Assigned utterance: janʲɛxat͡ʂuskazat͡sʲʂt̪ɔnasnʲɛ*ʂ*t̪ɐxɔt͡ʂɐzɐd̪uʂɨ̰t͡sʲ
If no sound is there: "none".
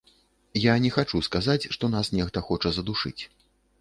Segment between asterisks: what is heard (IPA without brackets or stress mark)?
x